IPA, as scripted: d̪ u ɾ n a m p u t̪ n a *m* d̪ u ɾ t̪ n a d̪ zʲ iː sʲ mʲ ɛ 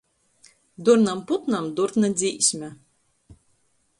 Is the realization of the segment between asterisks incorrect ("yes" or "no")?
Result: no